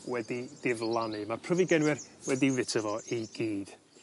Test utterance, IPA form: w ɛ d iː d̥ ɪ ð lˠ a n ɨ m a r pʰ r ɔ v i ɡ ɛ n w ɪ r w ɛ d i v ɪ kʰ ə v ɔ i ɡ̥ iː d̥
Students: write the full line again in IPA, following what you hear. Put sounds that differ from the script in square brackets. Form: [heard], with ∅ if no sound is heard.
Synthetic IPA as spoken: w ɛ d [i] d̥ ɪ [v] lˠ a n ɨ m a r pʰ r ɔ v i ɡ ɛ n w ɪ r w ɛ d i v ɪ [tʰ] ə v ɔ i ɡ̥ iː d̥